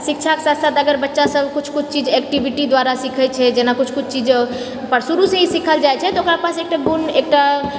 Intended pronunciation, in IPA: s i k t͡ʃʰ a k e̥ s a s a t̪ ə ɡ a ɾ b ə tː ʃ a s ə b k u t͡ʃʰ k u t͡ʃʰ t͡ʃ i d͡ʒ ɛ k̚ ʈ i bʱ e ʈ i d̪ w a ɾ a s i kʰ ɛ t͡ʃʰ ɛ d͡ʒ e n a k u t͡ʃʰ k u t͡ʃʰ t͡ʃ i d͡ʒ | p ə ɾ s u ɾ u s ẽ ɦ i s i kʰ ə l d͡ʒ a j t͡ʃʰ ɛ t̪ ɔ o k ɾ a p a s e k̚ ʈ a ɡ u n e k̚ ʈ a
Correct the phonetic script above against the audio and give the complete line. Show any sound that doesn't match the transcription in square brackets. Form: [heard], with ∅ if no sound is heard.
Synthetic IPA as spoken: s i k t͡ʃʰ a k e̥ s a s a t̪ ə ɡ [ə] ɾ b ə tː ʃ a s ə b k u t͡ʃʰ k u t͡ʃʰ t͡ʃ i d͡ʒ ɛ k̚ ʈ i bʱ [i] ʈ i d̪ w a ɾ a s i kʰ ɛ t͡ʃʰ ɛ d͡ʒ e n a k u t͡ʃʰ k u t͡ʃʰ t͡ʃ i d͡ʒ | p ə ɾ s u ɾ u s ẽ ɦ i s i kʰ ə l d͡ʒ a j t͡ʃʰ ɛ t̪ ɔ o k ɾ a p a s e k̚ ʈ a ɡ u n e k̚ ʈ a

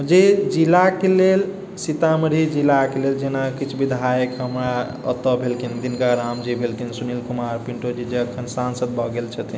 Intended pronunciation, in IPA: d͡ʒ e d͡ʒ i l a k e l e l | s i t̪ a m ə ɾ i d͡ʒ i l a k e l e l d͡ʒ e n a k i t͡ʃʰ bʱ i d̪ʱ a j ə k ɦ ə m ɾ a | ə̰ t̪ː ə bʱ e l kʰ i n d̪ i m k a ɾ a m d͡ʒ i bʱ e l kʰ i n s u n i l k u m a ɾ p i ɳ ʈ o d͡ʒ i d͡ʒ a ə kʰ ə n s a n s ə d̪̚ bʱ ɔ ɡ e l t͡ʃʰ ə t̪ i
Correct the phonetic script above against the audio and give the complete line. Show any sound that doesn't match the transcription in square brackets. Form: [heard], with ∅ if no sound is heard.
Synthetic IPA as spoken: d͡ʒ e d͡ʒ i l a k e l e l | s i t̪ a m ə ɾ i d͡ʒ i l a k e l e l d͡ʒ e n a k i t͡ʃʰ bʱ i d̪ʱ a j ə k ɦ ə m ɾ a | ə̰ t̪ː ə bʱ e l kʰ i n d̪ i [n] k a ɾ a m d͡ʒ i bʱ e l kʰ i n s u n i l k u m a ɾ p i ɳ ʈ o d͡ʒ i d͡ʒ [e] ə kʰ ə n s a n s ə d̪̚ bʱ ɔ ɡ e l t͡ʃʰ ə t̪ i

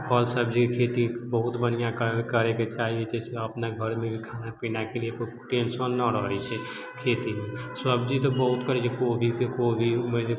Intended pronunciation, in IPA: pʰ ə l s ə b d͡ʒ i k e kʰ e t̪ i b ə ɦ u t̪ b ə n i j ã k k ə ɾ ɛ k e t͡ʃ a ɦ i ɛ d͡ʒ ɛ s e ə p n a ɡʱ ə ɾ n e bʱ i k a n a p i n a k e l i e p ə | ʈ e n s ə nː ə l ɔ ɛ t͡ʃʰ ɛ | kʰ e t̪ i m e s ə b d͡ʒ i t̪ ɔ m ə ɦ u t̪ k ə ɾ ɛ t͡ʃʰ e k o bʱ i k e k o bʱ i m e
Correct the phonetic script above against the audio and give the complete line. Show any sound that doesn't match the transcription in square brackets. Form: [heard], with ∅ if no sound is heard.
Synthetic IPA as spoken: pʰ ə l s ə b d͡ʒ i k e kʰ e t̪ i b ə ɦ u t̪ b ə n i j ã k k ə ɾ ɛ k e t͡ʃ a ɦ i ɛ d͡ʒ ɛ s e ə p n a ɡʱ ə ɾ [m] e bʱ i [kʰ] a n a p i n a k e l i e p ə | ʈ e n s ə nː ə [ɾ] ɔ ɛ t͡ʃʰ ɛ | kʰ e t̪ i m e s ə b d͡ʒ i t̪ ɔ [b] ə ɦ u t̪ k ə ɾ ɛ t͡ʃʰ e k o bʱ i k e k o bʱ i m e

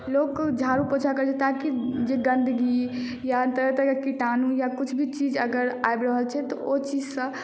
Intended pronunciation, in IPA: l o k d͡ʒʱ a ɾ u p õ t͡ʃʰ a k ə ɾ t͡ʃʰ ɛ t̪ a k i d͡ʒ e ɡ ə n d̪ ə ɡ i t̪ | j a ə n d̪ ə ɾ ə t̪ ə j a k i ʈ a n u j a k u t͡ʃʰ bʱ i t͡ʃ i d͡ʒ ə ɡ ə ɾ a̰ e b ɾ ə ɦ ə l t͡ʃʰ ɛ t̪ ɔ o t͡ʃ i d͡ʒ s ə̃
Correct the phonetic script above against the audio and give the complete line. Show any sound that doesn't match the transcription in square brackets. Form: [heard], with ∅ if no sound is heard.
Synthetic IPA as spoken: l o k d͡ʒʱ a ɾ u p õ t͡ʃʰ a k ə ɾ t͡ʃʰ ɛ t̪ a k i d͡ʒ e ɡ ə n d̪ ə ɡ i [∅] | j a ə n [t̪] ə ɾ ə t̪ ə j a k i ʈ a n u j a k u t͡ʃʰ bʱ i t͡ʃ i d͡ʒ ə ɡ ə ɾ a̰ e b ɾ ə ɦ ə l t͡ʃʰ ɛ t̪ ɔ o t͡ʃ i d͡ʒ s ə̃

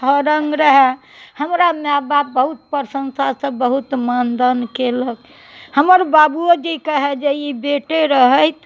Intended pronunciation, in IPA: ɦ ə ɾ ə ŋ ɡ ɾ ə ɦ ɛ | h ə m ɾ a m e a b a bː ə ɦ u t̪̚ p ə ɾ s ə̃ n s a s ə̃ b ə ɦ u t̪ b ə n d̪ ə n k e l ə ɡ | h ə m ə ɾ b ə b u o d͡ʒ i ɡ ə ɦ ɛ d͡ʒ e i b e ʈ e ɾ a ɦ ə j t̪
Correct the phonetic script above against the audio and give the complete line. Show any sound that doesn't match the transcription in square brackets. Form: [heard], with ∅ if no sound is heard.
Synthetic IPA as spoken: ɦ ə ɾ ə ŋ ɡ ɾ ə ɦ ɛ | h ə m ɾ a m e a b a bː ə ɦ u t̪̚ p ə ɾ s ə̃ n s a s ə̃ b ə ɦ u t̪ [m] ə n d̪ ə n k e l ə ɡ | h ə m ə ɾ b [a] b u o d͡ʒ i [k] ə ɦ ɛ d͡ʒ e i b e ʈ e ɾ [ə] ɦ ə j t̪

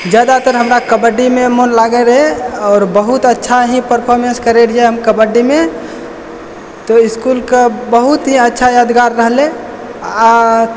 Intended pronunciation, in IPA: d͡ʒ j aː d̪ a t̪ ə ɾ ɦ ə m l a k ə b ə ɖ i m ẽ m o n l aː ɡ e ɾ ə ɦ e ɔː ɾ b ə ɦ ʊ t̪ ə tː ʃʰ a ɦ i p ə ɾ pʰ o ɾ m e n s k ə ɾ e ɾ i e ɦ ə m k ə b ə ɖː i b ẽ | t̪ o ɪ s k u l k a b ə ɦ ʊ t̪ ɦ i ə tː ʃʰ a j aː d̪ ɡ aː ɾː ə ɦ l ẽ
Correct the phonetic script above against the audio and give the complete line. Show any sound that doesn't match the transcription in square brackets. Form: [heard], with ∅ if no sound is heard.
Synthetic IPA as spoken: d͡ʒ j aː d̪ a t̪ ə ɾ ɦ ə m [ɾ] a k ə b ə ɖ i m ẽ m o n l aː ɡ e ɾ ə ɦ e ɔː ɾ b ə ɦ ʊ t̪ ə tː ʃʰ a ɦ i p ə ɾ pʰ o ɾ m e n s k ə ɾ e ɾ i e ɦ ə m k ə b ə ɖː i [m] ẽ | t̪ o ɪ s k u l k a b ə ɦ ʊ t̪ ɦ i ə tː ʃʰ a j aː d̪ ɡ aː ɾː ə ɦ l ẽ

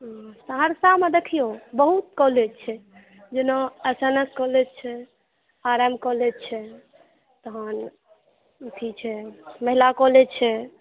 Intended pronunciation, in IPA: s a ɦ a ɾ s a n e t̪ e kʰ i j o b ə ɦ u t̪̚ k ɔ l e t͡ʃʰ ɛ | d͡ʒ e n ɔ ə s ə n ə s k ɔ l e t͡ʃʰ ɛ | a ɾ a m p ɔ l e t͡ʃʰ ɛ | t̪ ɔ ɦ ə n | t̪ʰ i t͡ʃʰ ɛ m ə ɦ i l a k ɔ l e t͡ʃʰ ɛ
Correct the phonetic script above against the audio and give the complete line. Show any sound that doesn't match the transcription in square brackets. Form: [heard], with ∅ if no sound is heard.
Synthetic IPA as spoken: s a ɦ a ɾ s a [m] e [d̪] e kʰ i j o b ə ɦ u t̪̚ k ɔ l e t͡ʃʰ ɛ | d͡ʒ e n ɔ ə s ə n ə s k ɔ l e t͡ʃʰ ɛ | a ɾ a m [k] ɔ l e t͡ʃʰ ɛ | t̪ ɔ ɦ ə n | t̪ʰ i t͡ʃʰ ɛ m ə ɦ i l a k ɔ l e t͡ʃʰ ɛ

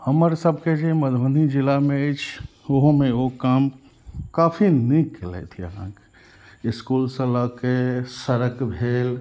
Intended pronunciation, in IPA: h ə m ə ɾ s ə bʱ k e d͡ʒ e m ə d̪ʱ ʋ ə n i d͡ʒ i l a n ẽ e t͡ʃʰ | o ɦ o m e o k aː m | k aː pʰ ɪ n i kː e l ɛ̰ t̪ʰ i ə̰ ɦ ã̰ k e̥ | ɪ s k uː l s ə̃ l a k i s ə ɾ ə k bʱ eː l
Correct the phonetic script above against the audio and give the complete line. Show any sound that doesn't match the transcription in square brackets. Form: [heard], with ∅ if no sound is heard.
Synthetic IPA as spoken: h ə m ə ɾ s ə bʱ k e d͡ʒ e m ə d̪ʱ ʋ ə n i d͡ʒ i l a [m] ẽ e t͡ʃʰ | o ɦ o m e o k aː m | k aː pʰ [i] n i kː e l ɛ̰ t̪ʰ i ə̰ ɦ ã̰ k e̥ | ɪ s k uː l s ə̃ l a k [e] s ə ɾ ə k bʱ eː l

